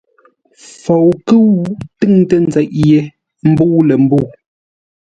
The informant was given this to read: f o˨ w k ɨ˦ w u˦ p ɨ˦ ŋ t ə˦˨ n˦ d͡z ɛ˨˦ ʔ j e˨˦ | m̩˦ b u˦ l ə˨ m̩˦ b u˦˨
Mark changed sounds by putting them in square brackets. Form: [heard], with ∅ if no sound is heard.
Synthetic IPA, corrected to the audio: f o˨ w k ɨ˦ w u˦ [t] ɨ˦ ŋ t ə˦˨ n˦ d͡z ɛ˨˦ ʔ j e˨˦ | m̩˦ b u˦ l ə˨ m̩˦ b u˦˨